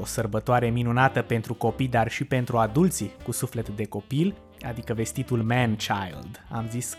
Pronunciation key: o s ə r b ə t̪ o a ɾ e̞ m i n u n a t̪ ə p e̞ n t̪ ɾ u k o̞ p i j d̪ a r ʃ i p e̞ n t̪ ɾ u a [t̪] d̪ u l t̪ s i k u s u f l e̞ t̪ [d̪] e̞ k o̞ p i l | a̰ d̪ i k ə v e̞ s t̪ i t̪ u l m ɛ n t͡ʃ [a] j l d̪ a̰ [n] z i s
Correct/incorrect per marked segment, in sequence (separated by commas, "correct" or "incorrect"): incorrect, correct, correct, incorrect